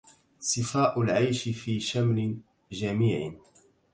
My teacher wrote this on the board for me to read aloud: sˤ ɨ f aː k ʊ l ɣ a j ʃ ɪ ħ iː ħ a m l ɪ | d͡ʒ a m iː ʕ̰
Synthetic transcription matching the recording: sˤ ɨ f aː ʔ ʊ l ʕ a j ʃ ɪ f iː ʃ a m l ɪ | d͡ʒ a m iː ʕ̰